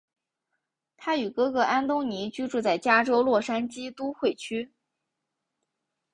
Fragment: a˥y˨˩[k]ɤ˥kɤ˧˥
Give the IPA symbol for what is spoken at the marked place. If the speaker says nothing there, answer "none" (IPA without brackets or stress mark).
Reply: k